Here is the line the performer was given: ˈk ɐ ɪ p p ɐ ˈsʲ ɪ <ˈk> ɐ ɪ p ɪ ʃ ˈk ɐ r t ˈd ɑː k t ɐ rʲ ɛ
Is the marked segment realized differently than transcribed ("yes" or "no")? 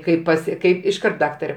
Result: no